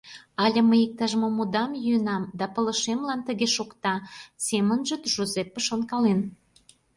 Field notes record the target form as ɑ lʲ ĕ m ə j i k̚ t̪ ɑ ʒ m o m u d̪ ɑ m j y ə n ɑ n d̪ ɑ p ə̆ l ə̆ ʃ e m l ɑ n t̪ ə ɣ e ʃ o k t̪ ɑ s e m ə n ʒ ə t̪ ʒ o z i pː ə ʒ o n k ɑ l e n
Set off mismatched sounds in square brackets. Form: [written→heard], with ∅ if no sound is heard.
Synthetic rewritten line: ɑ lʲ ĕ m ə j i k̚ t̪ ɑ ʒ m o m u d̪ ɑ m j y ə n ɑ [n→m] d̪ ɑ p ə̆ l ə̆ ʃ e m l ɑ n t̪ ə ɣ e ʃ o k t̪ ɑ s e m ə n ʒ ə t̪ ʒ o z [i→e] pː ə [ʒ→ʃ] o n k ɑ l e n